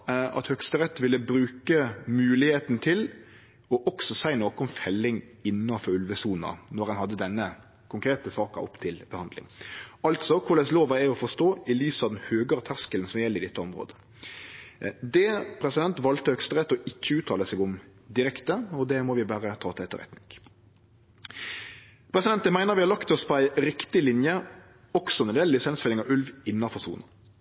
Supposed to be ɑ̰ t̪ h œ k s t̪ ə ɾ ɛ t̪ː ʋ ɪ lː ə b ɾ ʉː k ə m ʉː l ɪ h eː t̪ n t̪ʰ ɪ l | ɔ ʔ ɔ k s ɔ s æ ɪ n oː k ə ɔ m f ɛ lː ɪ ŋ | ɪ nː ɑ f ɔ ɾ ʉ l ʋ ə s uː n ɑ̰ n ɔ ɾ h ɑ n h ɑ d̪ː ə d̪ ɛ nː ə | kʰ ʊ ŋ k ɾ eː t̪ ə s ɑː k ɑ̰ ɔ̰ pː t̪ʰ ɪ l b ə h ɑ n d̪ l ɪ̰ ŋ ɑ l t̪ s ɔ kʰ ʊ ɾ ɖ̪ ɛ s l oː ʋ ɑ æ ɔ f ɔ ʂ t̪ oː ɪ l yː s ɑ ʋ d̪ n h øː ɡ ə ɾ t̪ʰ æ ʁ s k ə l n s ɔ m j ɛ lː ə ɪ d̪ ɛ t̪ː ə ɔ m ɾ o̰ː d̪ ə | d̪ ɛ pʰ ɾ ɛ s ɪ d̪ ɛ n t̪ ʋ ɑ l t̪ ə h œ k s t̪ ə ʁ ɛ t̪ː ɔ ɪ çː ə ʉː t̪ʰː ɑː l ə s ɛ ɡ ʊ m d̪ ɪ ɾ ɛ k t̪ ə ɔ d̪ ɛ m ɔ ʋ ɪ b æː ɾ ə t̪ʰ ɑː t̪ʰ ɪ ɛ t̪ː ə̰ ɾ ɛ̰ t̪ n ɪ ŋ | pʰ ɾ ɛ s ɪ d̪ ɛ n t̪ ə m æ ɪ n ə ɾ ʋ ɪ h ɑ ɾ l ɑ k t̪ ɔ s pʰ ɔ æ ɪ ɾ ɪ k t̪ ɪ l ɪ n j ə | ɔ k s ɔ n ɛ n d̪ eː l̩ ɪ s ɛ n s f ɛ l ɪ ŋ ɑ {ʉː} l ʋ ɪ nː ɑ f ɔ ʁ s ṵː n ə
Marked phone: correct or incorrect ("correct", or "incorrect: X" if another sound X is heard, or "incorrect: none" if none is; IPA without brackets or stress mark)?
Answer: incorrect: ʉ